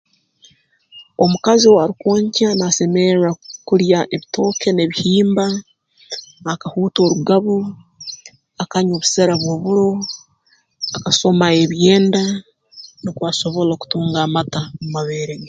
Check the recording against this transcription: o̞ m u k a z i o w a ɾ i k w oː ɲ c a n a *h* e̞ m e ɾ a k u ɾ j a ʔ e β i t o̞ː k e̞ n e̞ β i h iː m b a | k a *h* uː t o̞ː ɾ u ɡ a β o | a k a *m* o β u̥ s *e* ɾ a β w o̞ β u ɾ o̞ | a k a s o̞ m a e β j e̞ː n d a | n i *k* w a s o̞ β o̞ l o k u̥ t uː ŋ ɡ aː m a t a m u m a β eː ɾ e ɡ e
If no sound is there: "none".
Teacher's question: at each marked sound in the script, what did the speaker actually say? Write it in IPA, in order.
s, h, ɲ, e, k

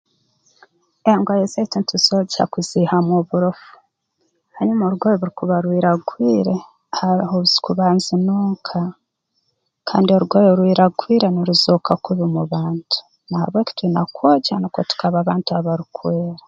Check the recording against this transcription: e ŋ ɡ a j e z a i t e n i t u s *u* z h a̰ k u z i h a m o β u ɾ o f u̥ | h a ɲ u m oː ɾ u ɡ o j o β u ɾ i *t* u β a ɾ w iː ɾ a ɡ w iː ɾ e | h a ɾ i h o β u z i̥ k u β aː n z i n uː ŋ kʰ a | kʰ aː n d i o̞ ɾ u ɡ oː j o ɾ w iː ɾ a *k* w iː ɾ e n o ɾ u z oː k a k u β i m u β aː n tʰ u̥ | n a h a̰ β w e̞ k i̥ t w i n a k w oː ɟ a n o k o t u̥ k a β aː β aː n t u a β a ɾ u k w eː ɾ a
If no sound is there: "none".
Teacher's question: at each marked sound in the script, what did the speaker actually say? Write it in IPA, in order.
o, k, ɡ

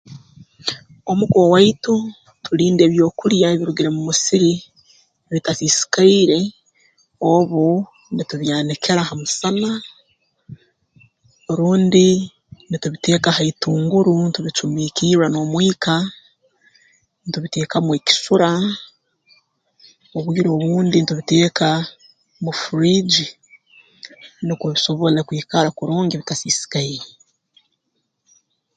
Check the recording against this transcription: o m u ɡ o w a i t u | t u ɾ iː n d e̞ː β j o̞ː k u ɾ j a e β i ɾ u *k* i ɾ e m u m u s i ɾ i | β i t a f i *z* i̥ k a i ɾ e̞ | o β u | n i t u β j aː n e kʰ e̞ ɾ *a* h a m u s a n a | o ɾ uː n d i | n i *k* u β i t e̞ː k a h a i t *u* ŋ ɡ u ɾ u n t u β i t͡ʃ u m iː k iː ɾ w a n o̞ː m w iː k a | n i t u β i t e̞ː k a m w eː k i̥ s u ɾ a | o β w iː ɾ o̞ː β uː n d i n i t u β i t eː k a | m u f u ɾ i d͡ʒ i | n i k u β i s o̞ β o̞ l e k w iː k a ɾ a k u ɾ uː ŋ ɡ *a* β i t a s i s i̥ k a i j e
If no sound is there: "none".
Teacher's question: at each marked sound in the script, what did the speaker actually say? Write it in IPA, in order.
ɡ, s, a, t, uː, i

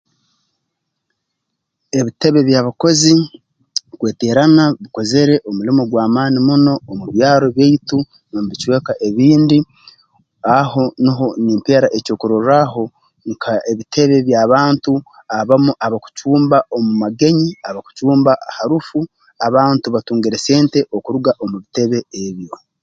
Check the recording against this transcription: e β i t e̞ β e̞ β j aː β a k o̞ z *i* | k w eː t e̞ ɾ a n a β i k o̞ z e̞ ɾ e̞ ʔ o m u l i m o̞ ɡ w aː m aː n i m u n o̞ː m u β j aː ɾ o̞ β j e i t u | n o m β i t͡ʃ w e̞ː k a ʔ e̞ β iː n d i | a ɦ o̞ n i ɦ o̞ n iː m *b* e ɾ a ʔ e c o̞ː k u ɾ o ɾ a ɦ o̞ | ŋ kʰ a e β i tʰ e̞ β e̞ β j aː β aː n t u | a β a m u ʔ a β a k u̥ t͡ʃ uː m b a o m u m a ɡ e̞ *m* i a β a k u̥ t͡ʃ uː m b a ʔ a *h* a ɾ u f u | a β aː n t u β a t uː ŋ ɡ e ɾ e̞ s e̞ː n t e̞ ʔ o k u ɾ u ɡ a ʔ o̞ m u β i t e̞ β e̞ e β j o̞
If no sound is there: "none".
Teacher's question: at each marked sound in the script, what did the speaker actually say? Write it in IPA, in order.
i, p, ɲ, h

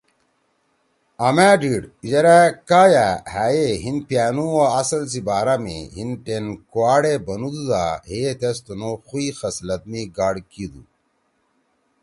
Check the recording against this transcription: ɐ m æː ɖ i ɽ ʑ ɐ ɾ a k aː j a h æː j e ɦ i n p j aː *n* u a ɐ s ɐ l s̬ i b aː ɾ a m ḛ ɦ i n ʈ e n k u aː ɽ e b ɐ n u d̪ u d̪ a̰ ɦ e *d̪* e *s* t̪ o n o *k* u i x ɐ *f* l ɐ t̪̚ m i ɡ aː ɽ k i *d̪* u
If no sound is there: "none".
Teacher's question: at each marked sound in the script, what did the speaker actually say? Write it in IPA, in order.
n, t̪, s, x, s, d̪

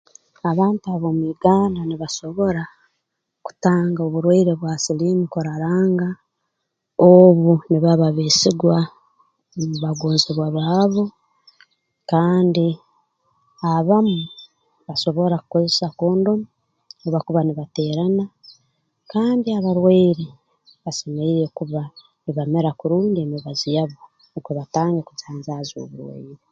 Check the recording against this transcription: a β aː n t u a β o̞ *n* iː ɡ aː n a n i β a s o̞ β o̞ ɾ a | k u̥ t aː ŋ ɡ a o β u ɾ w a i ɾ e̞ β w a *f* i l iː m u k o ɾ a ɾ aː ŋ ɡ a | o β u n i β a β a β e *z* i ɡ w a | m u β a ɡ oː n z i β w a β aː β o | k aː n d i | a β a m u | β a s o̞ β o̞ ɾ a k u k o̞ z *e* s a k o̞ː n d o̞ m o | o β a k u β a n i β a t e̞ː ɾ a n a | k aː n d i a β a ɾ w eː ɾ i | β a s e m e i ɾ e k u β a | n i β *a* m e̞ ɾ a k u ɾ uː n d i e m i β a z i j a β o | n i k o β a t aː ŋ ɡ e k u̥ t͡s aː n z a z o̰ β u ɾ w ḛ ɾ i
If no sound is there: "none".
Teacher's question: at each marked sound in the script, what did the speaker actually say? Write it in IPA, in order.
m, s, s, e, a

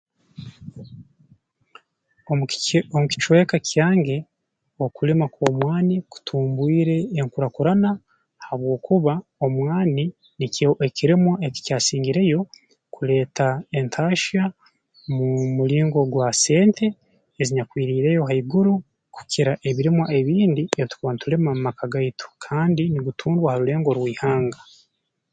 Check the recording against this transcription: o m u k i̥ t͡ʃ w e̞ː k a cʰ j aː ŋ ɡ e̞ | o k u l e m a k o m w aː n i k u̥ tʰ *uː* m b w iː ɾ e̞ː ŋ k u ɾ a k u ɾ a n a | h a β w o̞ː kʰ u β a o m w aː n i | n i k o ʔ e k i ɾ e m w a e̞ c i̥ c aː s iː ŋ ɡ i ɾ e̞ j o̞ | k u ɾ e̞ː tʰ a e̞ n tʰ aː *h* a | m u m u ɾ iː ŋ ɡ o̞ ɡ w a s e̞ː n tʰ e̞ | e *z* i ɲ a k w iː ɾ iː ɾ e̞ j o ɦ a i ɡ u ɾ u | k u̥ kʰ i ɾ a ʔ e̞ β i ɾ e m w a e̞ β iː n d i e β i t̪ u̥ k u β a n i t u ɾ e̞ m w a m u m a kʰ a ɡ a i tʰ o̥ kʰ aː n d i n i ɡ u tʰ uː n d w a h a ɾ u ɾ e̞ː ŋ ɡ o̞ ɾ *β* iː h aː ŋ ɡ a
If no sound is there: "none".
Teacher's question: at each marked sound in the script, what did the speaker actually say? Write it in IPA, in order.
uː, ʃ, z, w

